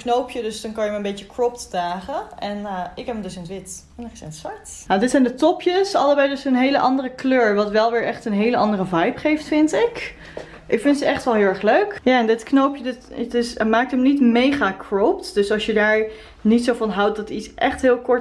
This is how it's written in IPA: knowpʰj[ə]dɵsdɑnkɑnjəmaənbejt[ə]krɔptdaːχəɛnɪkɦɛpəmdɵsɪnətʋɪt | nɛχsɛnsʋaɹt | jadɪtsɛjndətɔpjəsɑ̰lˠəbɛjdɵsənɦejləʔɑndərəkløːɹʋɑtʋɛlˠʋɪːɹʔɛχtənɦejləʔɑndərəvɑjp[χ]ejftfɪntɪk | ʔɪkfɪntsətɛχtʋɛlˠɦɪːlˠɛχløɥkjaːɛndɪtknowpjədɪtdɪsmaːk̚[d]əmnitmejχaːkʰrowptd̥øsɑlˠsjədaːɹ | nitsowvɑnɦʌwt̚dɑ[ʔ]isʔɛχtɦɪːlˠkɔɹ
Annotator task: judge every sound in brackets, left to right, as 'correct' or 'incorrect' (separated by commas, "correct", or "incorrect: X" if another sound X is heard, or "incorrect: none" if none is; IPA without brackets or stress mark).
correct, correct, correct, incorrect: t, incorrect: t